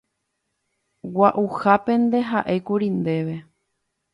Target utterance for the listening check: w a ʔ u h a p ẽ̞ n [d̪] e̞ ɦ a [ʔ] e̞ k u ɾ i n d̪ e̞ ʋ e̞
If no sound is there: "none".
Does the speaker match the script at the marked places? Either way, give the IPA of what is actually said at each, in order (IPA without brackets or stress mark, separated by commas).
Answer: d̪, ʔ